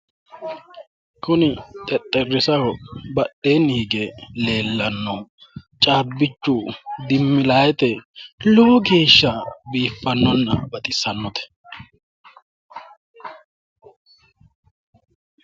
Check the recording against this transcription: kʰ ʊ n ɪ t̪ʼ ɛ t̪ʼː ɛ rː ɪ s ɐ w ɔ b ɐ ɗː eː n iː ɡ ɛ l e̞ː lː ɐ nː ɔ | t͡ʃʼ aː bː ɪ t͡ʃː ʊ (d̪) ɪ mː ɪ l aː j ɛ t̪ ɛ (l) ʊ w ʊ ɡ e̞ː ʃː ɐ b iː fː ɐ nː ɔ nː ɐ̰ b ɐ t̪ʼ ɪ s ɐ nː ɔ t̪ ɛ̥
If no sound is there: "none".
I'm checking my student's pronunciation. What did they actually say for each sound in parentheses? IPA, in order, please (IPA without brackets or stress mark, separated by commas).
d̪, l